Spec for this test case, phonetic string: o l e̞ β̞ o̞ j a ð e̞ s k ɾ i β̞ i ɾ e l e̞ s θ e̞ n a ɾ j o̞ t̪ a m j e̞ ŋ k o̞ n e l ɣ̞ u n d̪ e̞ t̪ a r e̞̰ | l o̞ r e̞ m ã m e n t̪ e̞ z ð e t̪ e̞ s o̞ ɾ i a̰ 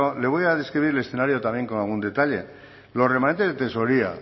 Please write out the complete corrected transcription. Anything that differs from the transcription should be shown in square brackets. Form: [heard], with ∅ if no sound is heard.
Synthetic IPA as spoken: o l e̞ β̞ o̞ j a ð e̞ s k ɾ i β̞ i ɾ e l e̞ s θ e̞ n a ɾ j o̞ t̪ a m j e̞ ŋ k o̞ n [a] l ɣ̞ u n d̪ e̞ t̪ a [ʎ] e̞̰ | l o̞ r e̞ m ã [n] e n t̪ e̞ z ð e t̪ e̞ s o̞ ɾ i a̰